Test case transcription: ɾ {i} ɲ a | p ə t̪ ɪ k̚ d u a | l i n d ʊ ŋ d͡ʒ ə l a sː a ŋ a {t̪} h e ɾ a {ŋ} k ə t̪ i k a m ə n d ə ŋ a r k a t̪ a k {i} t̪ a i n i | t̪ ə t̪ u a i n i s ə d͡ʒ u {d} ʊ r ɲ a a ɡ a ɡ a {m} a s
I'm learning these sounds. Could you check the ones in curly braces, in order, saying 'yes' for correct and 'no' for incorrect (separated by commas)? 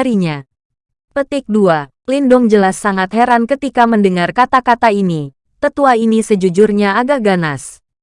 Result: yes, yes, no, no, no, no